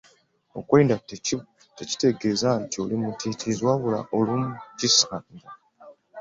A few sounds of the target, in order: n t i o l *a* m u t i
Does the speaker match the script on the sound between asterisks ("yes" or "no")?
no